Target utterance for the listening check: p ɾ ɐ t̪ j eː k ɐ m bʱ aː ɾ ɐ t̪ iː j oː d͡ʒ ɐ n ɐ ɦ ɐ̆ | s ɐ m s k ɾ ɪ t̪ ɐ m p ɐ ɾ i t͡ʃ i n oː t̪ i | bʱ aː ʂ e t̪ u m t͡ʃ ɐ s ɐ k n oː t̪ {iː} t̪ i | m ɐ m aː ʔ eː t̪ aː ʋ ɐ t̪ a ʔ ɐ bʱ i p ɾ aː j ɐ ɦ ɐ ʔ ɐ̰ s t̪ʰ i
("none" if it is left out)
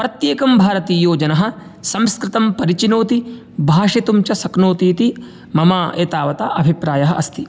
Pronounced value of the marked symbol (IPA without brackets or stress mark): iː